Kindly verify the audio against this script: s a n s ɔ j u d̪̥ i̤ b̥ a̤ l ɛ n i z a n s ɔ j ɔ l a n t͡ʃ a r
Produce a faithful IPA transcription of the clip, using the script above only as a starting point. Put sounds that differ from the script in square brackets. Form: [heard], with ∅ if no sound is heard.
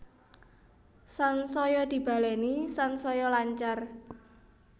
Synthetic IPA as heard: s a n s ɔ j [ɔ] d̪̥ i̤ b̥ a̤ l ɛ n i [s] a n s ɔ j ɔ l a [ɲ] t͡ʃ a r

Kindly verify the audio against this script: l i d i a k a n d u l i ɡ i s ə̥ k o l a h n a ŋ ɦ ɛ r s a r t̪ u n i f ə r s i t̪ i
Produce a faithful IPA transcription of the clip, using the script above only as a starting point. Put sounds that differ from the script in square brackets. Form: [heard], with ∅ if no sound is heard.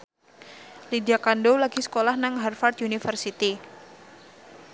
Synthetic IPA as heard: l i d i a k a n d [o] l [a] ɡ i s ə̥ k o l a h n a ŋ ɦ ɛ r [f] a r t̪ u n i f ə r s i t̪ i

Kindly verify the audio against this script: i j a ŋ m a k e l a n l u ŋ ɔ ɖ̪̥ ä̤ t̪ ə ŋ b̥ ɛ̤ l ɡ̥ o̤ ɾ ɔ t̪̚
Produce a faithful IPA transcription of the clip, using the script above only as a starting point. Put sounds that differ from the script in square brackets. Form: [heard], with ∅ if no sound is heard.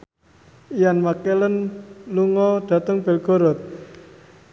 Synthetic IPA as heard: i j a [n] m a k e l [ə] n l u ŋ ɔ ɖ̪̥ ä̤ t̪ ə ŋ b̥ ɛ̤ l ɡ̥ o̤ ɾ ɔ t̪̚

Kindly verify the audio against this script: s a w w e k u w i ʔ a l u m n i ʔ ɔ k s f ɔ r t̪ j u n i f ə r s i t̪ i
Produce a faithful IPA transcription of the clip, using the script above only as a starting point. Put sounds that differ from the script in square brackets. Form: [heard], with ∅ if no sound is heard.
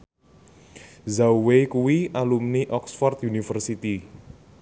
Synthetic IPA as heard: [z] a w w e k u w i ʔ a l u m n i ʔ ɔ k s f ɔ r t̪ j u n i f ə r s i t̪ i

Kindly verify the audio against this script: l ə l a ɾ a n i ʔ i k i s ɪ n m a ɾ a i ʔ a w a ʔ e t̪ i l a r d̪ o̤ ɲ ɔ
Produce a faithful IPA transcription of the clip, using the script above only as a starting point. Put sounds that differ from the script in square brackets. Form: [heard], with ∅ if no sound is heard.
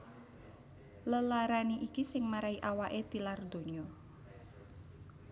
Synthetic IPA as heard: l ə l a ɾ a n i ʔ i k i s ɪ [ŋ] m a ɾ a i ʔ a w a ʔ e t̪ i l a r d̪ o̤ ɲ ɔ

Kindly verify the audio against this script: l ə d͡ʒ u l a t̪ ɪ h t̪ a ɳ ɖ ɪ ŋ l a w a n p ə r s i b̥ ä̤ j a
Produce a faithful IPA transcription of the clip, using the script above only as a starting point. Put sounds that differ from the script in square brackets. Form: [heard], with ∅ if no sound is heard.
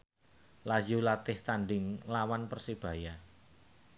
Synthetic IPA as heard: l [a] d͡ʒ u l a t̪ ɪ h t̪ a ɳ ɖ ɪ ŋ l a w a n p ə r s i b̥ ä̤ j a

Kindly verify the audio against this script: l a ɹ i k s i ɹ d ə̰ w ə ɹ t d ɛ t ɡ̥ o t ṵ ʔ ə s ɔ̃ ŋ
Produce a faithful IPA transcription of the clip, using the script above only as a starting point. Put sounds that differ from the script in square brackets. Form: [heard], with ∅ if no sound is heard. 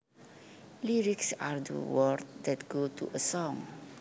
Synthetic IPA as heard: l [i] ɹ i k s [a] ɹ d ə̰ w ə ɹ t d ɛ t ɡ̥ o t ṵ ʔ ə s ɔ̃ ŋ

